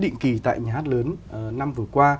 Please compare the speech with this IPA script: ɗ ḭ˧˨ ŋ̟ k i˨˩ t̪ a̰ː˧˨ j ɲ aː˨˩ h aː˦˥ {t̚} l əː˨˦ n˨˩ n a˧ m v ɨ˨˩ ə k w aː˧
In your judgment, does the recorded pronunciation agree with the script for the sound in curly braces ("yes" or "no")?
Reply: yes